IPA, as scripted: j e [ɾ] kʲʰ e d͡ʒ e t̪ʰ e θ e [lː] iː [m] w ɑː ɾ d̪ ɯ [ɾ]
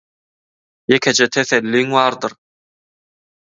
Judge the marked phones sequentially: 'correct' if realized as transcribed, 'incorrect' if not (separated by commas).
incorrect, correct, incorrect, correct